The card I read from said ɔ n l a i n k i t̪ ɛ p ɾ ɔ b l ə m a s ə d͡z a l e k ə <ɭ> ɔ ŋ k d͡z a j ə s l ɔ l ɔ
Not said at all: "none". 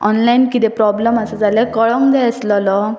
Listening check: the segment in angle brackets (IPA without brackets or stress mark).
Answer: ɭ